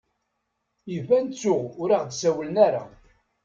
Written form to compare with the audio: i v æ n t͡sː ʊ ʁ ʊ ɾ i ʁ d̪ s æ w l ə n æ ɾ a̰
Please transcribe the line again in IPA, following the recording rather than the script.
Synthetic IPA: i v æ n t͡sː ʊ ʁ ʊ ɾ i ʁ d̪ s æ w l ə n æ ɾ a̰

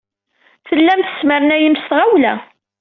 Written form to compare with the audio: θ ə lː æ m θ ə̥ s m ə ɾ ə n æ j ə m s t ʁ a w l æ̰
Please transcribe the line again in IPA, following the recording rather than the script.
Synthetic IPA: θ ə lː æ m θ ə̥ s m ə ɾ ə n æ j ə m s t ʁ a w l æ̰

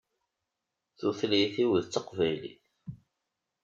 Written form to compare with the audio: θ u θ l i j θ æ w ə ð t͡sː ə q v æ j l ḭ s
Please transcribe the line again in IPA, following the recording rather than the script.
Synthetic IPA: θ u θ l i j θ i w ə ð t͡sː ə q v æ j l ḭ θ

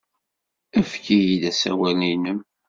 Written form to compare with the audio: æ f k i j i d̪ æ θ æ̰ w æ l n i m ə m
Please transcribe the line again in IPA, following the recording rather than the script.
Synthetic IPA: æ f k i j i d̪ æ s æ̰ w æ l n i n ə m

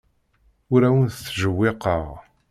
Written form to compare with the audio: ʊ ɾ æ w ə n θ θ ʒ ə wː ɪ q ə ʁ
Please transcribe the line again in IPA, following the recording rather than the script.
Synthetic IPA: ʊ ɾ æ w ə n θ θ ʒ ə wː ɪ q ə ʁ

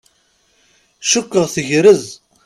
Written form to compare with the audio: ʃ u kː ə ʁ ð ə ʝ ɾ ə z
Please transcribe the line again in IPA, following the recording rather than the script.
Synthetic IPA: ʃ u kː ə ʁ θ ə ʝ ɾ ə z

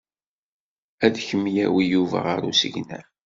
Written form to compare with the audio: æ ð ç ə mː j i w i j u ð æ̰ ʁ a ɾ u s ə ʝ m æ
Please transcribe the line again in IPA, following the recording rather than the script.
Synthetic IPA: æ ð ç ə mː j æ w i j u v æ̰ ʁ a ɾ u s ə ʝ n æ

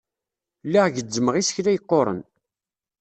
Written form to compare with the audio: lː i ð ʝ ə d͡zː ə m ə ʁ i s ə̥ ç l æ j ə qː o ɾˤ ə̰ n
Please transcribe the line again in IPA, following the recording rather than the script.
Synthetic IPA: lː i ʁ ʝ ə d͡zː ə m ə ʁ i s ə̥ ç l æ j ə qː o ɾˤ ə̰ n

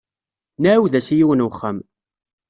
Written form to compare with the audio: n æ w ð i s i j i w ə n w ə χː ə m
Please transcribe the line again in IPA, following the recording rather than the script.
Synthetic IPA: n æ w ð æ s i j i w ə n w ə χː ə m

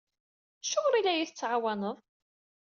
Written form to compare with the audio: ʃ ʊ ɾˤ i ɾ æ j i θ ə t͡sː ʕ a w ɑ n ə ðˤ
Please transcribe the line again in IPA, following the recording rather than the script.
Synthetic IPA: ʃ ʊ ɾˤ i l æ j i θ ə t͡sː ʕ a w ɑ n ə ðˤ

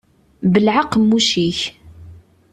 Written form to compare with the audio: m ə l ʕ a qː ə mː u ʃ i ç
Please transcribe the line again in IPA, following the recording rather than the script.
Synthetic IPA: b ə l ʕ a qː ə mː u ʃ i ç

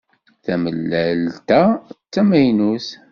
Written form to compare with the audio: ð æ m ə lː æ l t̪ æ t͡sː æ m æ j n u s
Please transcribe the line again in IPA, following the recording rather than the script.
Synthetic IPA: θ æ m ə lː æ l t̪ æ t͡sː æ m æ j n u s

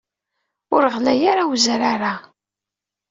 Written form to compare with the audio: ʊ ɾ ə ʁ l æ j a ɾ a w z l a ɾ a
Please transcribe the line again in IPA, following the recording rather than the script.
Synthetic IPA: ʊ ɾ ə ʁ l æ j a ɾ a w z ɾ a ɾ a

